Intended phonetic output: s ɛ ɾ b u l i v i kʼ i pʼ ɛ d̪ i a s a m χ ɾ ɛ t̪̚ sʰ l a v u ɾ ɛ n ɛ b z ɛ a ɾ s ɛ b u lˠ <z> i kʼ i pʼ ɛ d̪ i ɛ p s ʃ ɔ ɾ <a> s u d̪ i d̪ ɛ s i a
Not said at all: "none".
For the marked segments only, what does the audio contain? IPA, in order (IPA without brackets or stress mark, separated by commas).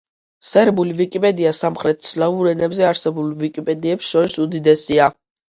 v, i